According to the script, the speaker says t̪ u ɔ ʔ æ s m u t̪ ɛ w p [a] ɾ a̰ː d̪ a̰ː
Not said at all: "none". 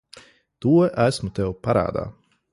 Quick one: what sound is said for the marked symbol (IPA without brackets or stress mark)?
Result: a